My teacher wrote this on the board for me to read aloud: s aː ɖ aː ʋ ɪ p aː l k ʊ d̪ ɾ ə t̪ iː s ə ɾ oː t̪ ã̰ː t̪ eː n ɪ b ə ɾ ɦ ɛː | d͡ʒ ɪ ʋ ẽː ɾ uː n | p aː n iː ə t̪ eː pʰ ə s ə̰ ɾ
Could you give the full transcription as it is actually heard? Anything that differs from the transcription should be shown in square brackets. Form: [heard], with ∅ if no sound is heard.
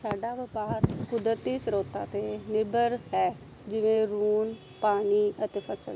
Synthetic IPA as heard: s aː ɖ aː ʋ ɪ p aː [ɾ] k ʊ d̪ ɾ ə t̪ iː s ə ɾ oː t̪ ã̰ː t̪ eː n ɪ b ə ɾ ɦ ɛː | d͡ʒ ɪ ʋ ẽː ɾ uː n | p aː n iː ə t̪ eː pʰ ə s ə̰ [l]